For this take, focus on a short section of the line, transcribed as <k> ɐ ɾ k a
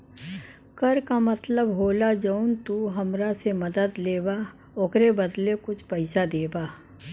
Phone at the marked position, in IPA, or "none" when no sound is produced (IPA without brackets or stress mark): k